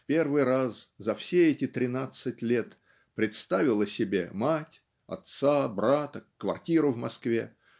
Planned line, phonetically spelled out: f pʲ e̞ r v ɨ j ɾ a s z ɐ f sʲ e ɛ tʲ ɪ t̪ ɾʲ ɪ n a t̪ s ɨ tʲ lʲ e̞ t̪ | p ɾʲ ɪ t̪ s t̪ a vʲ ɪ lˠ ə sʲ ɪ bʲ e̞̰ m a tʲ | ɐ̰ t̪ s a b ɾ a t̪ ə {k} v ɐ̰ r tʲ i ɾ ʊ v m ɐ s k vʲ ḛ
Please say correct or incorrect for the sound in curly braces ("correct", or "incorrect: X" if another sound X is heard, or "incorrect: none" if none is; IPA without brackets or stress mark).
correct